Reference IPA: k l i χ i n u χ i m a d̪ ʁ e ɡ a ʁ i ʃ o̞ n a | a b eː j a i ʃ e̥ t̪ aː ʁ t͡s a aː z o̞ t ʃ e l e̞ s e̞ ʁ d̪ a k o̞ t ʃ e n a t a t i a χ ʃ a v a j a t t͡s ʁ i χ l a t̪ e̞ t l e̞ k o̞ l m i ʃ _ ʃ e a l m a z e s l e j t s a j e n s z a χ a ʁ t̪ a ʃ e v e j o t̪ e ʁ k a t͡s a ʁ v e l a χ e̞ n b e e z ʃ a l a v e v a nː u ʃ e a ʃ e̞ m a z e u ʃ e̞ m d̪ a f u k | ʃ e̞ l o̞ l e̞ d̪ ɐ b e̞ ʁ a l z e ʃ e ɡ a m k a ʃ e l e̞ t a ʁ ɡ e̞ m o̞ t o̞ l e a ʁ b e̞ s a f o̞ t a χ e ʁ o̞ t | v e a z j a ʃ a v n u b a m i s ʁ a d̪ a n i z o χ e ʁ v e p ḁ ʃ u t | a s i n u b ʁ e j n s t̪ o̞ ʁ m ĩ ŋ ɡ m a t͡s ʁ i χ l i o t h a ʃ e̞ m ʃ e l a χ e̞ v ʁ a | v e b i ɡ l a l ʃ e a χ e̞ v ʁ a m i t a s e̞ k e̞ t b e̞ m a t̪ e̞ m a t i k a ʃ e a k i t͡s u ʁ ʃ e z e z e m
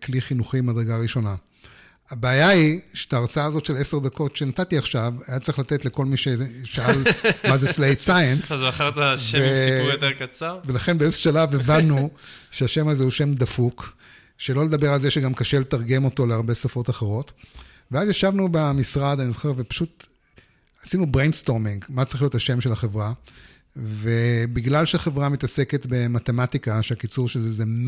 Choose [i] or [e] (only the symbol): e